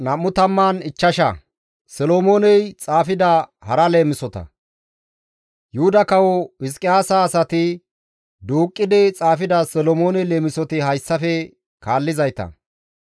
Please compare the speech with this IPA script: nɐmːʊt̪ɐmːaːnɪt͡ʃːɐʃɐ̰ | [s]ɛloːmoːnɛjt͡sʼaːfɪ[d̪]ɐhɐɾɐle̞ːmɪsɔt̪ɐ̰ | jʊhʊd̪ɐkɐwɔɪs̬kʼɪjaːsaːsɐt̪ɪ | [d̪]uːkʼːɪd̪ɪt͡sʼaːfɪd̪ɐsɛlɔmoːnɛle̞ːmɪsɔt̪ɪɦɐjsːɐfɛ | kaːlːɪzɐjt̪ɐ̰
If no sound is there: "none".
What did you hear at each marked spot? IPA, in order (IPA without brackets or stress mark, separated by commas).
s, d̪, d̪